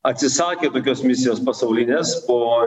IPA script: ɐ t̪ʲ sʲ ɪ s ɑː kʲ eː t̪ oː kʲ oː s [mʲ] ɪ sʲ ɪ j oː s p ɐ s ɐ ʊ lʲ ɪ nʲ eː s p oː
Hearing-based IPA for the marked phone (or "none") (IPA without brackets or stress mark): mʲ